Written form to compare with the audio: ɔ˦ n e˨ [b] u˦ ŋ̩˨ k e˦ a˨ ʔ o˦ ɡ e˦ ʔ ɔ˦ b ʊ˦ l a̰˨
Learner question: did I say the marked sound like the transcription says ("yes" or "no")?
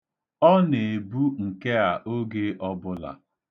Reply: yes